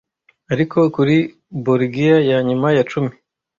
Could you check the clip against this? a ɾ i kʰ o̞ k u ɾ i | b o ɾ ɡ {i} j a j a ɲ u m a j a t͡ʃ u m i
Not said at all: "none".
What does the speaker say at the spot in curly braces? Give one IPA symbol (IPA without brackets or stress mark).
i